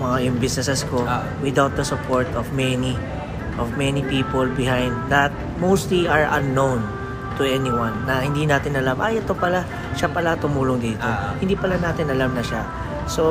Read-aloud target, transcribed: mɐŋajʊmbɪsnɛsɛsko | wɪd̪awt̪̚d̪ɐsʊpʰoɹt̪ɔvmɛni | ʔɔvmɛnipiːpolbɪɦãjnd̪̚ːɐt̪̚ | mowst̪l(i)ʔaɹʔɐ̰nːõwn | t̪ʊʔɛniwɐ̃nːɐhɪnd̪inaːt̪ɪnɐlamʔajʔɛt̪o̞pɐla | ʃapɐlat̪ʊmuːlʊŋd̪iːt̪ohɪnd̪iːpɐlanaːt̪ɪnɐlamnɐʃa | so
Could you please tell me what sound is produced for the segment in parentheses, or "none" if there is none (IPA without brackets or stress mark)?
i